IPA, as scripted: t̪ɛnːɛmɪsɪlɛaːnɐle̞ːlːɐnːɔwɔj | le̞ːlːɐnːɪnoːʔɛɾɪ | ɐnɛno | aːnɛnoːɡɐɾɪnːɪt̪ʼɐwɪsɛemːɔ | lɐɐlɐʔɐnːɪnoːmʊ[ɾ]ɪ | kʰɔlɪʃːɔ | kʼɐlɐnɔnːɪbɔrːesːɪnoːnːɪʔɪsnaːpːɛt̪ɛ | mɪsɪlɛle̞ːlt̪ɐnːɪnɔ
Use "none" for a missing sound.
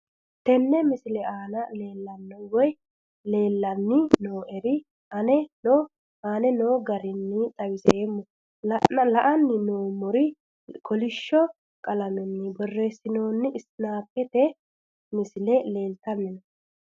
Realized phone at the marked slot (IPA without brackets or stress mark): ɾ